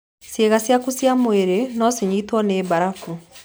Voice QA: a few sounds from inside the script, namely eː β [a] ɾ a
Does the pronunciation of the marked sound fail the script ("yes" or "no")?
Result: no